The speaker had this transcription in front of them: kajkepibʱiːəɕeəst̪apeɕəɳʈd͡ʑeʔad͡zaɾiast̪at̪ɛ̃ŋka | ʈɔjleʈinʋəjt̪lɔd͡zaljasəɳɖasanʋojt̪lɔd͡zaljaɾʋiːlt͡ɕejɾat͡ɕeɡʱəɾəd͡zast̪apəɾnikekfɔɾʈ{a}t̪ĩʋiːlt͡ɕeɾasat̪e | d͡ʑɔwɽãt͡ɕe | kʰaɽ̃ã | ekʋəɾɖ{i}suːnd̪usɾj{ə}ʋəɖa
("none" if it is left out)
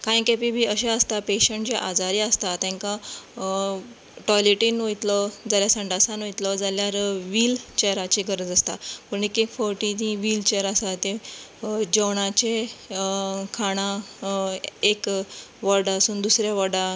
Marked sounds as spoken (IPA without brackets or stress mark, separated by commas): i, a, a